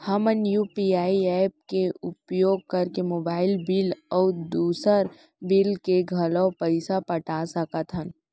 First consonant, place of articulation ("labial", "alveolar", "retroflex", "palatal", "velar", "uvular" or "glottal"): glottal